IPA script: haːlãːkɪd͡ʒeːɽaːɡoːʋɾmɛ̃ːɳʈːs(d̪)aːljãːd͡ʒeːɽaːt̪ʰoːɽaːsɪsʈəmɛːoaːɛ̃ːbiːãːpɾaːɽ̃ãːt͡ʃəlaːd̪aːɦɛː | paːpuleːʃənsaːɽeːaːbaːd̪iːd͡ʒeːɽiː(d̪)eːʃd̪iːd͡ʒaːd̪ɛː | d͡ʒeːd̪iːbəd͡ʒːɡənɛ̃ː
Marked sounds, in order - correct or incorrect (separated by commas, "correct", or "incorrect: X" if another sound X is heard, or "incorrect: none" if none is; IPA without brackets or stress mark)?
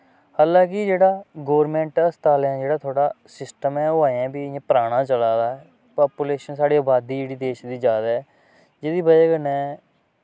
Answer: incorrect: t̪, correct